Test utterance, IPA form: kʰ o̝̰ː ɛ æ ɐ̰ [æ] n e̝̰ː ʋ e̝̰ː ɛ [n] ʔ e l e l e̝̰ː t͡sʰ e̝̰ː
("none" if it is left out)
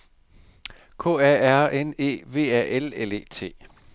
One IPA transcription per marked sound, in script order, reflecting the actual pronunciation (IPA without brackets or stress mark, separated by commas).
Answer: e, none